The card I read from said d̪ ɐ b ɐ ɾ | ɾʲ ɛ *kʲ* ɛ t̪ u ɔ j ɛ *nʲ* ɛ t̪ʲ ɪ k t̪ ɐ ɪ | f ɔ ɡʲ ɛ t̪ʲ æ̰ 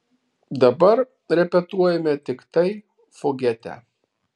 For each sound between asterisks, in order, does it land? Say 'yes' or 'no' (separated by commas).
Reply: no, no